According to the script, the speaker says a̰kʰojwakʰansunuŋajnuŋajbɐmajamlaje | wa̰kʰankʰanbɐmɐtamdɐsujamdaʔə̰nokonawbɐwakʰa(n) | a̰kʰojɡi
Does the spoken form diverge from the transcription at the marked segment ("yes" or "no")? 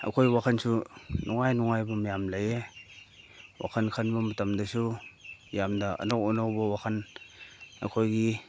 no